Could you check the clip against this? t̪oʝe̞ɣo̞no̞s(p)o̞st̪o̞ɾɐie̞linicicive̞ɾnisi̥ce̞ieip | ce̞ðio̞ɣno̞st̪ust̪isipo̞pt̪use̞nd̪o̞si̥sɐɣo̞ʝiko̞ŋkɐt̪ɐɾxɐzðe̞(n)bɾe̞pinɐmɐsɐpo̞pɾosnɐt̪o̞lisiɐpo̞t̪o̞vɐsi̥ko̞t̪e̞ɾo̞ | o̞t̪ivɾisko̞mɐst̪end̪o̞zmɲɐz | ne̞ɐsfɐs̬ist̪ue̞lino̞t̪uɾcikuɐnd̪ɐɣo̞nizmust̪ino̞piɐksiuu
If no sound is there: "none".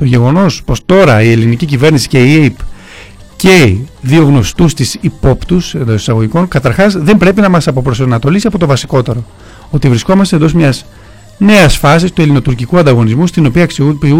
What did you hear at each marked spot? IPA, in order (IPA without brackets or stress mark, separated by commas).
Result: p, m